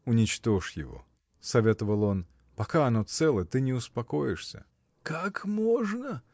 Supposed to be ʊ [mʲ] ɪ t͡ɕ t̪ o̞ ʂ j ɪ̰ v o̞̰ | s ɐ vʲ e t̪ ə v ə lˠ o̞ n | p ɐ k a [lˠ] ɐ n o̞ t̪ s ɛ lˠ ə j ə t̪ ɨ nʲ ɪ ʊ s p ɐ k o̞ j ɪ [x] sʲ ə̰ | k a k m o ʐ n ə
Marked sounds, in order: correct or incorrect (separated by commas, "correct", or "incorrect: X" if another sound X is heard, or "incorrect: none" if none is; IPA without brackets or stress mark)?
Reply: incorrect: nʲ, incorrect: none, incorrect: ʂ